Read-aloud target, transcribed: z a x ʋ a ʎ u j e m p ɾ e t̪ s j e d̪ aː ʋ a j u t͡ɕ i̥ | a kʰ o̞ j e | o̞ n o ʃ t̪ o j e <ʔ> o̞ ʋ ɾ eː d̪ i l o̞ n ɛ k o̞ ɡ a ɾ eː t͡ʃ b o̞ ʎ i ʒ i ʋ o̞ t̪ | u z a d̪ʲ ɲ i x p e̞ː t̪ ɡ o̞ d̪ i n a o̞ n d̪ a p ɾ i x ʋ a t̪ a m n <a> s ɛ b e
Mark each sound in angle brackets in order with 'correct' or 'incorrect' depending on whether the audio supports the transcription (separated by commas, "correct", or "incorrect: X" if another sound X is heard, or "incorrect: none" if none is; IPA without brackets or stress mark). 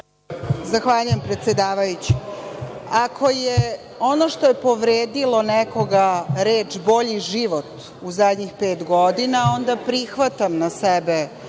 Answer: incorrect: p, correct